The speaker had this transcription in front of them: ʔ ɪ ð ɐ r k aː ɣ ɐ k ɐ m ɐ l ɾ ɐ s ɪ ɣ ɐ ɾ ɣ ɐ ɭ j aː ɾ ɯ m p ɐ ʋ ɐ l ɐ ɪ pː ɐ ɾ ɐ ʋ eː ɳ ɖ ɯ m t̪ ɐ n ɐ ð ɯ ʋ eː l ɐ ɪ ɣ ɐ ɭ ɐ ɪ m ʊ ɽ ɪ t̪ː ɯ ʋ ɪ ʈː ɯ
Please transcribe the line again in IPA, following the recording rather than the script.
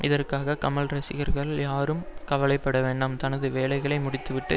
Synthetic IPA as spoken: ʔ ɪ ð ɐ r k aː ɣ ɐ k ɐ m ɐ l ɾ ɐ s ɪ ɣ ɐ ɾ ɣ ɐ ɭ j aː ɾ ɯ m k ɐ ʋ ɐ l ɐ ɪ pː ɐ ɽ ɐ ʋ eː ɳ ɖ ɯ m t̪ ɐ n ɐ ð ɯ ʋ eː l ɐ ɪ ɣ ɐ ɭ ɐ ɪ m ʊ ɽ ɪ t̪ː ɯ ʋ ɪ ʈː ɯ

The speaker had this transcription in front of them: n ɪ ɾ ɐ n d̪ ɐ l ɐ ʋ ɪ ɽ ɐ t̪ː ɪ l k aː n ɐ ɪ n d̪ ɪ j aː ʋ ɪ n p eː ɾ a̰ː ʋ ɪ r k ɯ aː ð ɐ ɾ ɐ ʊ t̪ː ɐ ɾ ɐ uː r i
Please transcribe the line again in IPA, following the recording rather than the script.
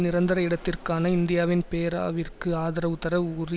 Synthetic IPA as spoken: n ɪ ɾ ɐ n d̪ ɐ ɾ ɐ ɪ ɽ ɐ t̪ː ɪ r k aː n ɐ ɪ n d̪ ɪ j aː ʋ ɪ n p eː ɾ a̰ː ʋ ɪ r k ɯ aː ð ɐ ɾ ɐ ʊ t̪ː ɐ ɾ ɐ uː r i

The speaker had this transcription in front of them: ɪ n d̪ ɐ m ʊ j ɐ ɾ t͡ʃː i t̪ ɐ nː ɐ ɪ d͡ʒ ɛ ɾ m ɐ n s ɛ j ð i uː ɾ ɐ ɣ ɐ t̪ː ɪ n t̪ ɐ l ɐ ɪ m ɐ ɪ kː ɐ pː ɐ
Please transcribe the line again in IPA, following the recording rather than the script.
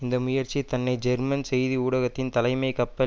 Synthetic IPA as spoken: ɪ n d̪ ɐ m ʊ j ɐ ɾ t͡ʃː i t̪ ɐ nː ɐ ɪ d͡ʒ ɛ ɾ m ɐ n s ɛ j ð i uː ɽ ɐ ɣ ɐ t̪ː ɪ n t̪ ɐ l ɐ ɪ m ɐ ɪ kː ɐ pː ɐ

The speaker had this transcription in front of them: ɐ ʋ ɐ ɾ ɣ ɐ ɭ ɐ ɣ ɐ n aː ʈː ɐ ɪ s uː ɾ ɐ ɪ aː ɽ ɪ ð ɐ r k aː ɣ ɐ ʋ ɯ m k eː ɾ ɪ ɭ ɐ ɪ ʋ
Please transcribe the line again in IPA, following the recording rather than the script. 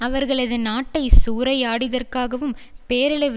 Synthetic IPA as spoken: ɐ ʋ ɐ ɾ ɣ ɐ ɭ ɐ ð ɐ n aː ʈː ɐ ɪ s uː ɾ ɐ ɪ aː ɽ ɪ ð ɐ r k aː ɣ ɐ ʋ ɯ m p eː ɾ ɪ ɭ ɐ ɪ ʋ

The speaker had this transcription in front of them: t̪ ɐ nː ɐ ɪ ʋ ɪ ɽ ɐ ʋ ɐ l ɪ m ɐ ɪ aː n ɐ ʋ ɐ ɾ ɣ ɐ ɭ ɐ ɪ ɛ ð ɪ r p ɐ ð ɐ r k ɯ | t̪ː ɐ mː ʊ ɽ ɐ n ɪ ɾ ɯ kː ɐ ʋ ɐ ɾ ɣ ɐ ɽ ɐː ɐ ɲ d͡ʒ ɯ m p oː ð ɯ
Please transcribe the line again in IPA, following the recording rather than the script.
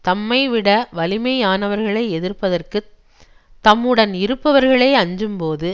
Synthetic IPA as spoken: t̪ ɐ mː ɐ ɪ ʋ ɪ ɽ ɐ ʋ ɐ l ɪ m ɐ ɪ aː n ɐ ʋ ɐ ɾ ɣ ɐ ɭ ɐ ɪ ɛ ð ɪ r p ɐ ð ɐ r k ɯ | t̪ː ɐ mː ɯ ɽ ɐ n ɪ ɾ ɯ pː ɐ ʋ ɐ ɾ ɣ ɐ ɭ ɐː ɐ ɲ d͡ʒ ɯ m p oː ð ɯ

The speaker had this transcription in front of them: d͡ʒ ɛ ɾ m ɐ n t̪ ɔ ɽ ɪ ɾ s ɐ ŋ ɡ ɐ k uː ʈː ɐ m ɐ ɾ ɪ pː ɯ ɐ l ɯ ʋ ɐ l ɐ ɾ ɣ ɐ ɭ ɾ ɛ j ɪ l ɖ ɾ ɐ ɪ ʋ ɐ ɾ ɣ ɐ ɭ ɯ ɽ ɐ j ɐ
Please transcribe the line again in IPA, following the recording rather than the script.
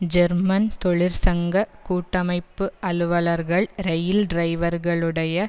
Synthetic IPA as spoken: d͡ʒ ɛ ɾ m ɐ n t̪ ɔ ɭ ɪ ɾ s ɐ ŋ ɡ ɐ k uː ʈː ɐ m ɐ ɪ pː ɯ ɐ l ɯ ʋ ɐ l ɐ ɾ ɣ ɐ ɭ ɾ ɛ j ɪ l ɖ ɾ ɐ ɪ ʋ ɐ ɾ ɣ ɐ ɭ ɯ ɽ ɐ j ɐ

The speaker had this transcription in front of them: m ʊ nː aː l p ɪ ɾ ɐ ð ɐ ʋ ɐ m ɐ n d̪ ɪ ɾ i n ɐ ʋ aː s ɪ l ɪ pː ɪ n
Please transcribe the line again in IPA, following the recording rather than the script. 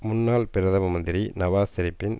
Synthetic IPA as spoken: m ʊ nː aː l p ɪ ɾ ɐ ð ɐ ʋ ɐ m ɐ n d̪ ɪ ɾ i n ɐ ʋ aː s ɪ ɾ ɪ pː ɪ n

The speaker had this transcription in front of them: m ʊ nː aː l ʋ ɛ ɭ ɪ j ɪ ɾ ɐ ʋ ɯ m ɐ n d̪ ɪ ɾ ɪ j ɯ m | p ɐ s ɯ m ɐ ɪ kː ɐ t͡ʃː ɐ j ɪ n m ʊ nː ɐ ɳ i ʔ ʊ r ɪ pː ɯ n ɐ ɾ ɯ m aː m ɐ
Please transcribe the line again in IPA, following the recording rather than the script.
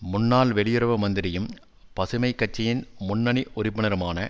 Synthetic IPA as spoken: m ʊ nː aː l ʋ ɛ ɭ ɪ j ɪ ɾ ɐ ʋ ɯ m ɐ n d̪ ɪ ɾ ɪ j ɯ m | p ɐ s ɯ m ɐ ɪ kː ɐ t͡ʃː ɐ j ɪ n m ʊ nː ɐ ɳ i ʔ ʊ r ɪ pː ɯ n ɐ ɾ ɯ m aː n ɐ

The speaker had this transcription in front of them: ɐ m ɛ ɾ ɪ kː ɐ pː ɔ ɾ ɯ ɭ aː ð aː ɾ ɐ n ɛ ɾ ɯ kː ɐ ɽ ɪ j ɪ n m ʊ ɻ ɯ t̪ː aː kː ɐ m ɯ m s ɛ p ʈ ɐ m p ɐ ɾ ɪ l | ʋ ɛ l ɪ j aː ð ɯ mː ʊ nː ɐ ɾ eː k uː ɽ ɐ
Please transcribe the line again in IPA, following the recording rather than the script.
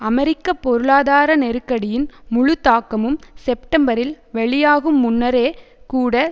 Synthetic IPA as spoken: ɐ m ɛ ɾ ɪ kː ɐ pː ɔ ɾ ɯ ɭ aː ð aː ɾ ɐ n ɛ ɾ ɯ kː ɐ ɽ ɪ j ɪ n m ʊ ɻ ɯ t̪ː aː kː ɐ m ɯ m s ɛ p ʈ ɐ m b ɐ ɾ ɪ l | ʋ ɛ ɭ ɪ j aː ɣ ɯ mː ʊ nː ɐ ɾ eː k uː ɽ ɐ

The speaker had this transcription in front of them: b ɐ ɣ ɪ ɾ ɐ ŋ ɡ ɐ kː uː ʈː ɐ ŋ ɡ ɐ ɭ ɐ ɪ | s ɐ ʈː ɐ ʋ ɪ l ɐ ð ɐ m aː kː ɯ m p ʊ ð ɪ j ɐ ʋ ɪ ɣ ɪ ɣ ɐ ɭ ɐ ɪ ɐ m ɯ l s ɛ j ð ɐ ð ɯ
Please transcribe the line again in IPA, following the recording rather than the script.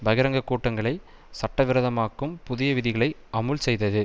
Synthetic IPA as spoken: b ɐ ɣ ɪ ɾ ɐ ŋ ɡ ɐ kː uː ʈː ɐ ŋ ɡ ɐ ɭ ɐ ɪ | s ɐ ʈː ɐ ʋ ɪ ɾ ɐ ð ɐ m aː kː ɯ m p ʊ ð ɪ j ɐ ʋ ɪ ð ɪ ɣ ɐ ɭ ɐ ɪ ɐ m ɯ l s ɛ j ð ɐ ð ɯ

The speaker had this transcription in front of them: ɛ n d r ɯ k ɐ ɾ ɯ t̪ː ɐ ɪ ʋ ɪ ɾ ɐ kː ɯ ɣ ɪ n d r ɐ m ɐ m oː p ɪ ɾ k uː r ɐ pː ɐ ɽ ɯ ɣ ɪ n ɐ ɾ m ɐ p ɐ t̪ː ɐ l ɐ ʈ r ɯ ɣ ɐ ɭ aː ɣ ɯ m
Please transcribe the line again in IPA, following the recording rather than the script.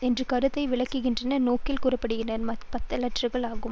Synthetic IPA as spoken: ɛ n d r ɯ k ɐ ɾ ɯ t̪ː ɐ ɪ ʋ ɪ ɭ ɐ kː ɯ ɣ ɪ n d r ɐ n ɐ n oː k ɪ l k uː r ɐ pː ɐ ɽ ɯ ɣ ɪ n ɐ ɾ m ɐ p ɐ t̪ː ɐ l ɐ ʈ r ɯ ɣ ɐ ɭ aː ɣ ɯ m

